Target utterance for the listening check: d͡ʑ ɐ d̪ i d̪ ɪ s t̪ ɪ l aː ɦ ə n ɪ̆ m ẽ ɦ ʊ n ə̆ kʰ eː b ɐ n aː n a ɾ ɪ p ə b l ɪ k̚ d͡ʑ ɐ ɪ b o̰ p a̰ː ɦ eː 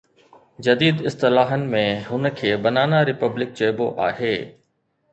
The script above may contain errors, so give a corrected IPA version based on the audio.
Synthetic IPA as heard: d͡ʑ ɐ d̪ iː d̪ ɪ s t̪ ɪ l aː ɦ ə n ɪ̆ m ẽ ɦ ʊ n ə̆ kʰ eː b ɐ n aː n a ɾ ɪ p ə b l ɪ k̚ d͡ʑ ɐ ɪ b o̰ ʔ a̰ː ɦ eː